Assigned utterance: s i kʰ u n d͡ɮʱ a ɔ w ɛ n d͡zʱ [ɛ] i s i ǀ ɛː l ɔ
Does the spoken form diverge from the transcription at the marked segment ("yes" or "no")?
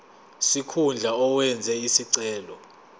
no